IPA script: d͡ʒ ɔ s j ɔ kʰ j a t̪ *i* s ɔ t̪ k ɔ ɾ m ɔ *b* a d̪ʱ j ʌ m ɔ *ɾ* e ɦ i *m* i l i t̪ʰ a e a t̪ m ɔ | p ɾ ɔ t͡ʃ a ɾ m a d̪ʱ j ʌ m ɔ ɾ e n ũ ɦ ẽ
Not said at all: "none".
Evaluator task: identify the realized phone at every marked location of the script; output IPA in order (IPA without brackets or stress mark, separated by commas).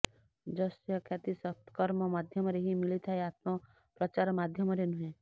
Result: i, m, ɾ, m